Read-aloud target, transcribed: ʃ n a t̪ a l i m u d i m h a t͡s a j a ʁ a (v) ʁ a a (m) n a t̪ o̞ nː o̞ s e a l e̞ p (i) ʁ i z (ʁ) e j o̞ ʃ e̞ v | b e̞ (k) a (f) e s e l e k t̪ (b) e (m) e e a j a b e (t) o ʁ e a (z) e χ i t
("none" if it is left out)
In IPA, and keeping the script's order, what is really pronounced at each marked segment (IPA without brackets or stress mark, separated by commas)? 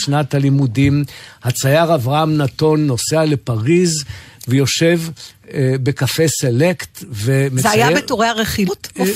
v, m, a, v, k, f, v, m, t, ʁ